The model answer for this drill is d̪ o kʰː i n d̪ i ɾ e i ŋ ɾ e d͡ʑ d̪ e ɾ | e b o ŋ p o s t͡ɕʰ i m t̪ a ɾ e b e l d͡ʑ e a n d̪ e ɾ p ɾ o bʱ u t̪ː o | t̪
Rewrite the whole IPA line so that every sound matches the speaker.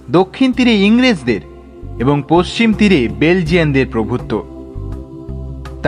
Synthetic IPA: d̪ o kʰː i n t̪ i ɾ e i ŋ ɾ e d͡ʑ d̪ e ɾ | e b o ŋ p o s t͡ɕ i m t̪ i ɾ e b e l d͡ʑ i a n d̪ e ɾ p ɾ o bʱ u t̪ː o | t̪